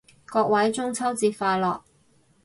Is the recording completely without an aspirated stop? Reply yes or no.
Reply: no